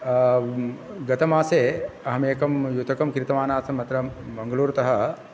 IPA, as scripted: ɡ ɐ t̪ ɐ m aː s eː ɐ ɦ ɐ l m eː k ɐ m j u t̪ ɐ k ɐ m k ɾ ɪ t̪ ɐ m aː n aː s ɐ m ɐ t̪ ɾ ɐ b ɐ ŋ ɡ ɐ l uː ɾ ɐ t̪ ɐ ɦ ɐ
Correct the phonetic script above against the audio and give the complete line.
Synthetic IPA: ɡ ɐ t̪ ɐ m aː s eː ɐ ɦ ɐ m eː k ɐ m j u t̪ ɐ k ɐ m k ɾ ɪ t̪ ɐ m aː n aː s ɐ m ɐ t̪ ɾ ɐ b ɐ ŋ ɡ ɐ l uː ɾ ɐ t̪ ɐ ɦ ɐ